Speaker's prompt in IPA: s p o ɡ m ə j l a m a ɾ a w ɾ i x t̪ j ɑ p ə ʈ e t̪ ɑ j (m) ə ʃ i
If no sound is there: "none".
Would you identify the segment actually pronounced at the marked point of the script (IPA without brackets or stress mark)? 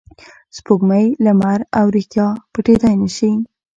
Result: n